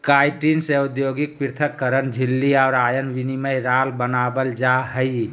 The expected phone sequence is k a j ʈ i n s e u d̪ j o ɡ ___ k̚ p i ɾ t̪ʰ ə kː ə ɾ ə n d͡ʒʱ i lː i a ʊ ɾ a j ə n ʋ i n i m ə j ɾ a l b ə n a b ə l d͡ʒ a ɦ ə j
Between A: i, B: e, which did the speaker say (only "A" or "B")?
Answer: A